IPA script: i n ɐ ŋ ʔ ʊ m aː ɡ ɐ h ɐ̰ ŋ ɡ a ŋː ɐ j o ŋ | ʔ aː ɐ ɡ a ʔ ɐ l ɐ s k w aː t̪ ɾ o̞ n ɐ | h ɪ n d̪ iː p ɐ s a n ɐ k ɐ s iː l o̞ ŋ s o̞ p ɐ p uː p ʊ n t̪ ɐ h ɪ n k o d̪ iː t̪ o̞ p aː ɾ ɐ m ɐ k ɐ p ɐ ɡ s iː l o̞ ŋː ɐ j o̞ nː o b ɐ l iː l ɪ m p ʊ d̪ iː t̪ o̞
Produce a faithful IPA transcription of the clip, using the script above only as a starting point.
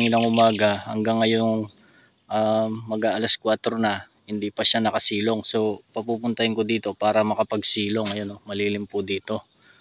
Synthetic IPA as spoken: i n ɐ ŋ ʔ ʊ m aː ɡ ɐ h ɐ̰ ŋ ɡ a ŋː ɐ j o ŋ | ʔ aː ɐ ɡ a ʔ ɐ l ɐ s k w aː t̪ ɾ o̞ n ɐ | h ɪ n d̪ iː p ɐ ʃ a n ɐ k ɐ s iː l o̞ ŋ s o̞ p ɐ p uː p ʊ n t̪ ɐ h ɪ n k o d̪ iː t̪ o̞ p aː ɾ ɐ m ɐ k ɐ p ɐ ɡ s iː l o̞ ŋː ɐ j o̞ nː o m ɐ l iː l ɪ m p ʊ d̪ iː t̪ o̞

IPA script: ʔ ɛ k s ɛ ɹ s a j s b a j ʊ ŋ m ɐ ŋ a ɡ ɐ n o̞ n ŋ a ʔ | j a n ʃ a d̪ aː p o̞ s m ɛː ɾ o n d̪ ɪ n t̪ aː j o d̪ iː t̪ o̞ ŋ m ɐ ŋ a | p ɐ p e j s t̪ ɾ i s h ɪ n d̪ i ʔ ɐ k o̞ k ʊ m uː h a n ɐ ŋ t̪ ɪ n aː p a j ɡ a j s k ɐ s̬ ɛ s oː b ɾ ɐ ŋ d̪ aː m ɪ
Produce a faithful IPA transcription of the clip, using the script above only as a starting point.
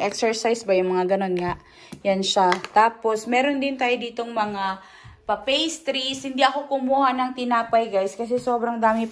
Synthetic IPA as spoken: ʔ ɛ k s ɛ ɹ s a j s b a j ʊ ŋ m ɐ ŋ a ɡ ɐ n o̞ n ŋ a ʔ | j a n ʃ a t̪ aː p o̞ s m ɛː ɾ o n d̪ ɪ n t̪ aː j o d̪ iː t̪ o̞ ŋ m ɐ ŋ a | p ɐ p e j s t̪ ɾ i s h ɪ n d̪ i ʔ ɐ k o̞ k ʊ m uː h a n ɐ ŋ t̪ ɪ n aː p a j ɡ a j s k ɐ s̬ ɛ s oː b ɾ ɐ ŋ d̪ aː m ɪ

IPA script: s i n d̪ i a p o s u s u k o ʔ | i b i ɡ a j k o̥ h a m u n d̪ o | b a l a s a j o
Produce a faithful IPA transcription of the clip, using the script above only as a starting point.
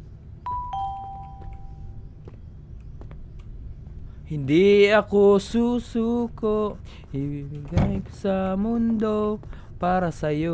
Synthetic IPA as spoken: h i n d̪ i a k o s u s u k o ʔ | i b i ɡ a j k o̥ s a m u n d̪ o | p a ɾ a s a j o

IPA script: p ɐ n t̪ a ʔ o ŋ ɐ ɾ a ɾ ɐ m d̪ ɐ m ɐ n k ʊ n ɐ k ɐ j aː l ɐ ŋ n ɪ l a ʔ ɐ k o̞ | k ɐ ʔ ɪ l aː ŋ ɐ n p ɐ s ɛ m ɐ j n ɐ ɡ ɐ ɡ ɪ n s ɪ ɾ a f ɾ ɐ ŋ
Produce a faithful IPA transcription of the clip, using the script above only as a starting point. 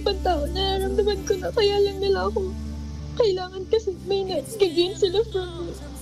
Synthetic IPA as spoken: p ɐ n t̪ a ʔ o n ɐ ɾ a ɾ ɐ m d̪ ɐ m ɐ n k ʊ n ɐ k ɐ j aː l ɐ ŋ n ɪ l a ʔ ɐ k o̞ | k ɐ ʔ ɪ l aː ŋ ɐ n k ɐ s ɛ m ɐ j n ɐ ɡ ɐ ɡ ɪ n s ɪ l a f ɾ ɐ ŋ

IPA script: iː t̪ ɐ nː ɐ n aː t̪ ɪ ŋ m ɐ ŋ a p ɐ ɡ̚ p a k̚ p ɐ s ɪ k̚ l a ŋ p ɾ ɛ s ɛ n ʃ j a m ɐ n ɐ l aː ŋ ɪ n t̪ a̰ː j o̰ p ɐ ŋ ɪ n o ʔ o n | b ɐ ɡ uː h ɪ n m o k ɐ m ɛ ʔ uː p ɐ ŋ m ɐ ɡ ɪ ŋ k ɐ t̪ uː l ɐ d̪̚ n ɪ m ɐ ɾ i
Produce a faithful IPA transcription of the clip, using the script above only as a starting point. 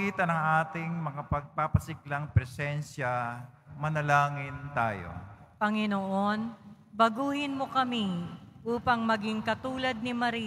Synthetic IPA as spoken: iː t̪ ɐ n ɐ ŋ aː t̪ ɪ ŋ m ɐ ŋ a p ɐ ɡ̚ p a p ɐ s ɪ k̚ l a ŋ p ɾ ɛ s ɛ n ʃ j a m ɐ n ɐ l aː ŋ ɪ n t̪ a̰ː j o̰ p ɐ ŋ ɪ n o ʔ o n | b ɐ ɡ uː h ɪ n m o k ɐ m i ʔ uː p ɐ ŋ m ɐ ɡ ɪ ŋ k ɐ t̪ uː l ɐ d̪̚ n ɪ m ɐ ɾ i

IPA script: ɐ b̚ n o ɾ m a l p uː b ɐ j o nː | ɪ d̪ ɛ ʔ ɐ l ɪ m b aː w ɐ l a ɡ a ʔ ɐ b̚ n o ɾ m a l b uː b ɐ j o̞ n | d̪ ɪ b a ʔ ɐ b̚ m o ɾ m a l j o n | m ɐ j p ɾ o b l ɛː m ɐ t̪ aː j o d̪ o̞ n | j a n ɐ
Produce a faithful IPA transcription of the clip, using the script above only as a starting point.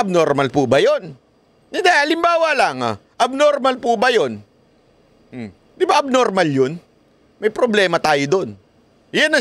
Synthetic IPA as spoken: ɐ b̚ n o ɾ m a l p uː b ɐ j o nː | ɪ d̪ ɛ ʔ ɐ l ɪ m b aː w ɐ l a ŋ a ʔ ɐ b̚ n o ɾ m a l p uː b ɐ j o̞ n | d̪ ɪ b a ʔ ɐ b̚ n o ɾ m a l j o n | m ɐ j p ɾ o b l ɛː m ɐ t̪ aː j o d̪ o̞ n | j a n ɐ

